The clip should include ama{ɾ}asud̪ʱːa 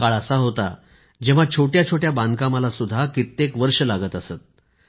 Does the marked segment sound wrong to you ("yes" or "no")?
yes